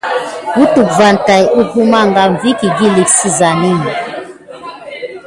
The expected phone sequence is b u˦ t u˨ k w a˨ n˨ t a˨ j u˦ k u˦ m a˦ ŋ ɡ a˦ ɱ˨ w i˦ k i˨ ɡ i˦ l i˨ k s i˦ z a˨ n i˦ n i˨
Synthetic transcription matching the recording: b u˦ t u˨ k v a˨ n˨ t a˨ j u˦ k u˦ m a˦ ŋ ɡ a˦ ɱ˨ v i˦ k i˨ ɡ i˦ l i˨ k s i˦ z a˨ n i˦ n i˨

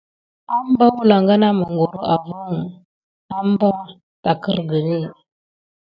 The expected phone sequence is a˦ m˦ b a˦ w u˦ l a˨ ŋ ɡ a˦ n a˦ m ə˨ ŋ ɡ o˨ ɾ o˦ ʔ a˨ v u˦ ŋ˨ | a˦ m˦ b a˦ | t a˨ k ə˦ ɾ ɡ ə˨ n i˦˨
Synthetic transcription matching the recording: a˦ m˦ b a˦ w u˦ l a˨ ŋ ɡ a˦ n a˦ m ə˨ ŋ ɡ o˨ ɾ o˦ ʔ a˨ v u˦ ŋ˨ | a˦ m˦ b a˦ | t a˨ k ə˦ ɾ ɡ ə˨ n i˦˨

